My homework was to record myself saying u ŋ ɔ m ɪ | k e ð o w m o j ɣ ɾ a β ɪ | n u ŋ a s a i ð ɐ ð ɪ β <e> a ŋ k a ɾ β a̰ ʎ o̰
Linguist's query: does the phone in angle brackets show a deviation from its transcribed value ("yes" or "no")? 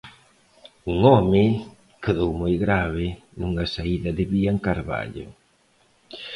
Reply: yes